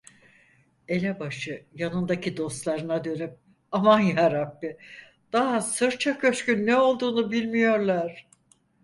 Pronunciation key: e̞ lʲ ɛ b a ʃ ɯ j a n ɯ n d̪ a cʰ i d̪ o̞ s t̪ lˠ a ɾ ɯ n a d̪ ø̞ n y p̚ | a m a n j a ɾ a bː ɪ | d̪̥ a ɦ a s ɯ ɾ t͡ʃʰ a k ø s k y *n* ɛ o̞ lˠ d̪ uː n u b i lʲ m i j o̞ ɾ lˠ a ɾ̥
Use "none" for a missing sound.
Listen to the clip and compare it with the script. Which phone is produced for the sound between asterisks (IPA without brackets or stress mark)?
nː